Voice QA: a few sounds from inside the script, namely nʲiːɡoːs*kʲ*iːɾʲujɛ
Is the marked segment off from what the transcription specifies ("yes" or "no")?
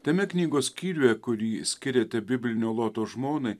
no